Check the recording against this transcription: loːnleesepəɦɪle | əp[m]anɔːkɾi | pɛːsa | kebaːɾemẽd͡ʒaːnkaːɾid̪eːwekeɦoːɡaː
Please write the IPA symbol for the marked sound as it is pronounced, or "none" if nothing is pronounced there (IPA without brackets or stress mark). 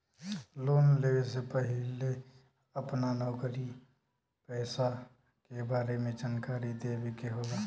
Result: n